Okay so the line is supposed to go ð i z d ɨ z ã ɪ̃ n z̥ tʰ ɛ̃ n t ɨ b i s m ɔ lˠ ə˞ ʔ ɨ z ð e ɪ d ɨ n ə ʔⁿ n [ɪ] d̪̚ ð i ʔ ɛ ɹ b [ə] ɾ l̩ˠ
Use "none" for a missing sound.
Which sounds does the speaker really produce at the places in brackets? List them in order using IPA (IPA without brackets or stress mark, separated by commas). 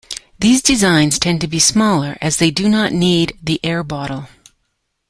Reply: i, ɑ